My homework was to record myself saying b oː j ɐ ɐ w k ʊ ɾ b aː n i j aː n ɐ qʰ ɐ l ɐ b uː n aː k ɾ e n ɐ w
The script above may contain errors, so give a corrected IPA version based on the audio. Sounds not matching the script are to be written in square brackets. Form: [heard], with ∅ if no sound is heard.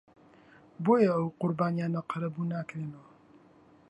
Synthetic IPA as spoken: b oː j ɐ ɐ w [q] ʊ ɾ b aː n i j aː n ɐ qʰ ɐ [ɾ] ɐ b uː n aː k ɾ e n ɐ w